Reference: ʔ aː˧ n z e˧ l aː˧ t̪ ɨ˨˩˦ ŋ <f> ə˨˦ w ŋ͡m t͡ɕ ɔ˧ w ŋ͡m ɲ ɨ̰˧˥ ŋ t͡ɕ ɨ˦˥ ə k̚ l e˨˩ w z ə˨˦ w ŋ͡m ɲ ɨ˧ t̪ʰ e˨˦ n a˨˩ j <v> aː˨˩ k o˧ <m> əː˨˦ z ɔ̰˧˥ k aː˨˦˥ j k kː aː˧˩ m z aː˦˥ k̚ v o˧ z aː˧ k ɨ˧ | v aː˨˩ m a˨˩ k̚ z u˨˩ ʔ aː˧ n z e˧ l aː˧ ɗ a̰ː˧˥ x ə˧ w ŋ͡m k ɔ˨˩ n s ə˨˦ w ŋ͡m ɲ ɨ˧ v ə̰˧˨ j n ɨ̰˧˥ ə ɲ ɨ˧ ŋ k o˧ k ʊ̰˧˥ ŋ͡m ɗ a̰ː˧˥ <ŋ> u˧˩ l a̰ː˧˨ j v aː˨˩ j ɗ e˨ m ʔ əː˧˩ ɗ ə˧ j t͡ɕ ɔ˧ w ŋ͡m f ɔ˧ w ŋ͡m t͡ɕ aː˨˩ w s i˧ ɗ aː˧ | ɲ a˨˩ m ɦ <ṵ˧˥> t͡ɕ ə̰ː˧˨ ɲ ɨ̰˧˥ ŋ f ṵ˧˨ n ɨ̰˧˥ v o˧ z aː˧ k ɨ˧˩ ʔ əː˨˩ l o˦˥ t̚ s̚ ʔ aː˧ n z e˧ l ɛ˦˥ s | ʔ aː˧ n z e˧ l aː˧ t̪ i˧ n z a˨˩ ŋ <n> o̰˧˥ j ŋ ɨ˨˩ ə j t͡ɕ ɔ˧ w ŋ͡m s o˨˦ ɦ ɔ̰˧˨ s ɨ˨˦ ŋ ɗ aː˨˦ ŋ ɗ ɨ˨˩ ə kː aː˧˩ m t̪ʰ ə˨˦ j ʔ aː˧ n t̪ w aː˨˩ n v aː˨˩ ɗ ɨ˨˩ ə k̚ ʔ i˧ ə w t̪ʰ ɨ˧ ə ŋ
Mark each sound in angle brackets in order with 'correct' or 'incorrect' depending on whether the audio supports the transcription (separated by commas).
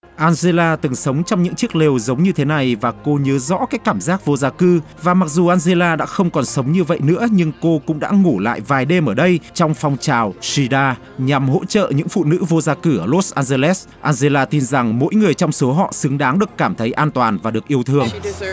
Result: incorrect, correct, incorrect, correct, incorrect, incorrect